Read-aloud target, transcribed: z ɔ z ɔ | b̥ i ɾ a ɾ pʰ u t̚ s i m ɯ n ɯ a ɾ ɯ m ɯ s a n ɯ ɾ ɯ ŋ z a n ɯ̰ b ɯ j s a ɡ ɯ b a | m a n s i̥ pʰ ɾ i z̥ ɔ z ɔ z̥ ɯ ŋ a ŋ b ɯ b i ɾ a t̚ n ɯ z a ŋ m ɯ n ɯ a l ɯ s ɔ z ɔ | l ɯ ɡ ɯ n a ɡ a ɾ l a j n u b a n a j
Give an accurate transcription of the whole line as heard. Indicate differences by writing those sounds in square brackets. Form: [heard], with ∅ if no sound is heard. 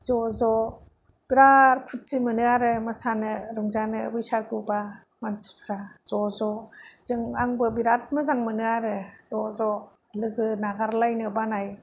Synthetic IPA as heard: z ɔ z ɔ | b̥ i ɾ a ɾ pʰ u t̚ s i m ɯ n ɯ a ɾ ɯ m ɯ s a n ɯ ɾ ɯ ŋ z a n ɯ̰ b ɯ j s a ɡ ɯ b a | m a n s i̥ pʰ ɾ [a] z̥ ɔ z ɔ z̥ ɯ ŋ a ŋ b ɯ b i ɾ a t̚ [m] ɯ z a ŋ m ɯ n ɯ a [ɾ] ɯ [z] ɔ z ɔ | l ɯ ɡ ɯ n a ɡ a ɾ l a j n [ɯ] b a n a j